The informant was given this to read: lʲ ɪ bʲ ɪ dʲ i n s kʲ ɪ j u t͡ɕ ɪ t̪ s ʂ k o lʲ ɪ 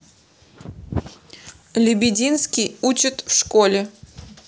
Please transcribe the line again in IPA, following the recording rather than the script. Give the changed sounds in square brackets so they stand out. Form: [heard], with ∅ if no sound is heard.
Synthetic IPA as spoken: lʲ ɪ bʲ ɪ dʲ i n s kʲ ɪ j u t͡ɕ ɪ t̪ [f] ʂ k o lʲ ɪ